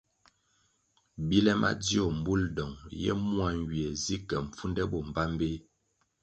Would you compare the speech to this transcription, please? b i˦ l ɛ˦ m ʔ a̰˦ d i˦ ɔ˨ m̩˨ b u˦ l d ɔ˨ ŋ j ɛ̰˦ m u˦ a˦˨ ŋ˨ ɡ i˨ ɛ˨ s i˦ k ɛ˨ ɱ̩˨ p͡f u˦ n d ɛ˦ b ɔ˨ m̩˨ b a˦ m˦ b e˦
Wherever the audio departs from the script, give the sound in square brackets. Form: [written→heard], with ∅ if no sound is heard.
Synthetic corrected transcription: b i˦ l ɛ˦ m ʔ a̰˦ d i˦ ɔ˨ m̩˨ b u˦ l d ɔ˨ ŋ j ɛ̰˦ m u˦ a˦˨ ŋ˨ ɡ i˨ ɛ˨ [s→z] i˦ k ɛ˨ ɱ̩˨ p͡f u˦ n d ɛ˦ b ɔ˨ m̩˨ b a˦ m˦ b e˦

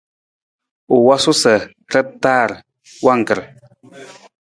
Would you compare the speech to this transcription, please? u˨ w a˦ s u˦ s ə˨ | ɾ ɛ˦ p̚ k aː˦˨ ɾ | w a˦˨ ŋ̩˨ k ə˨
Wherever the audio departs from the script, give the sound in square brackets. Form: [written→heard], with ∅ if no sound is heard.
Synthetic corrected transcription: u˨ w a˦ s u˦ s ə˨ | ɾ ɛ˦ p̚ [k→t] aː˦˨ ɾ | w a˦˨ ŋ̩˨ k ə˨

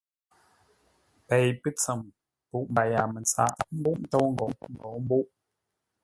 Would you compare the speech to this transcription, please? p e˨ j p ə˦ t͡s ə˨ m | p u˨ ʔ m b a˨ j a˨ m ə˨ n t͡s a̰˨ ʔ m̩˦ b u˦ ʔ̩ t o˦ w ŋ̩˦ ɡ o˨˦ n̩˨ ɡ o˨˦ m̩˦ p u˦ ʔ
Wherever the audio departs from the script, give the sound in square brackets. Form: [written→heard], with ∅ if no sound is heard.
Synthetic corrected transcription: p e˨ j p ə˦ t͡s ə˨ m | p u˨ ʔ m b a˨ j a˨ m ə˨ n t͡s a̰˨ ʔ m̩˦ b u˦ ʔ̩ t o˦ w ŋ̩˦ ɡ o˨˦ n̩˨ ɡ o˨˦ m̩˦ [p→b] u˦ ʔ

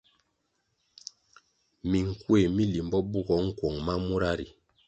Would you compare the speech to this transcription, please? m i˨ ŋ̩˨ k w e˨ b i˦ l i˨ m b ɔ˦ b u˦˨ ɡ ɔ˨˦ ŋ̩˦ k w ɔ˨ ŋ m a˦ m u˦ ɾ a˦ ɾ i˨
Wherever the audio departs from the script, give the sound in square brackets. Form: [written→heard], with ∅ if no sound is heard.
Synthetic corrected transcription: m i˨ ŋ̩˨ k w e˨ [b→m] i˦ l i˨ m b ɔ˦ b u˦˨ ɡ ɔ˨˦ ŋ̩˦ k w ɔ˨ ŋ m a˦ m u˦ ɾ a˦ ɾ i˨

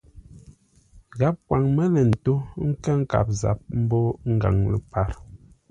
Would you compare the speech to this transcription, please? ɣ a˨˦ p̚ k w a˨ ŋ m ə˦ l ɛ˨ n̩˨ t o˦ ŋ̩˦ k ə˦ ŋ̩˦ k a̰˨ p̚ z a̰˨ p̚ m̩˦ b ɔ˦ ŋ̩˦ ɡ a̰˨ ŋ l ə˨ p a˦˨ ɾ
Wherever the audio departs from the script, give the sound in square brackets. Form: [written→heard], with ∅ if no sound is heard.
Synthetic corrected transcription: ɣ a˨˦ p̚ k w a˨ ŋ m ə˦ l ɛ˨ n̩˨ t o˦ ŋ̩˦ k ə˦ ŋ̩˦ k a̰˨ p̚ z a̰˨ p̚ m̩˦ b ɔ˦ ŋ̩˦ ɡ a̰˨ ŋ l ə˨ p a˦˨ ɾ

